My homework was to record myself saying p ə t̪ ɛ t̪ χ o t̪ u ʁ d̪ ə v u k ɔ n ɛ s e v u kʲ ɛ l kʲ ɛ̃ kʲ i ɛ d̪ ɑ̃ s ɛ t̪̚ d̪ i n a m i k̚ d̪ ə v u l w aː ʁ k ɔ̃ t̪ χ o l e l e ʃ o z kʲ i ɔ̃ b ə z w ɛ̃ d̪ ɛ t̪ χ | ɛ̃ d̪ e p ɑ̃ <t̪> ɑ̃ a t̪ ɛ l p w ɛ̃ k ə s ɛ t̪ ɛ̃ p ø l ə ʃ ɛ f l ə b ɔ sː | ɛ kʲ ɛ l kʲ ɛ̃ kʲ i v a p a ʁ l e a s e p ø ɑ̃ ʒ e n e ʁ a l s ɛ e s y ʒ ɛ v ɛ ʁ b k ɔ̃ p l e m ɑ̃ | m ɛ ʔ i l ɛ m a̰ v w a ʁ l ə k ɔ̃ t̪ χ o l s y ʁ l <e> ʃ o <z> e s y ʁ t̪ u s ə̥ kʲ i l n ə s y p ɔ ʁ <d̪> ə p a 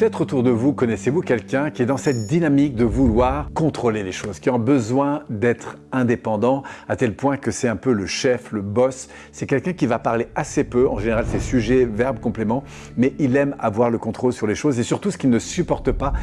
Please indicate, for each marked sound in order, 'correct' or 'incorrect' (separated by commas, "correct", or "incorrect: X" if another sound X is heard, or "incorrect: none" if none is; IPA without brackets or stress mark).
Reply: incorrect: d̪, correct, correct, incorrect: t̪